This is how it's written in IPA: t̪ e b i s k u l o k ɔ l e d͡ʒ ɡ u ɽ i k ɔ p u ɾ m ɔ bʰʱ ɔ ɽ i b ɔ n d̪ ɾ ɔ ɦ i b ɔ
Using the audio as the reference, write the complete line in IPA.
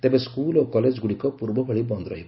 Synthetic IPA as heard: t̪ e b e s k u l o k ɔ l e d͡ʒ ɡ u ɽ i k ɔ p u ɾ b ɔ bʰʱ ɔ ɭ i b ɔ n d̪ ɾ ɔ ɦ i b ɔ